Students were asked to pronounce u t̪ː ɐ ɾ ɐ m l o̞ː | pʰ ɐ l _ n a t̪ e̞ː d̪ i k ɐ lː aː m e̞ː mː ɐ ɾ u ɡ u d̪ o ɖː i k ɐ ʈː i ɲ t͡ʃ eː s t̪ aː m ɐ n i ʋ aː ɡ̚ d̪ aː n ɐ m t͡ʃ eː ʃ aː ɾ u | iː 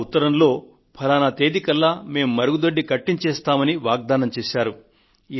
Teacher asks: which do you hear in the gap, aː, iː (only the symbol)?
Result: aː